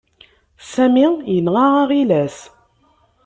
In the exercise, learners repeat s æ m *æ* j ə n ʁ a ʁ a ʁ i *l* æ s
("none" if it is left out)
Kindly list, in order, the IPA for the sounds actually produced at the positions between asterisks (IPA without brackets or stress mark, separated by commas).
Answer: i, l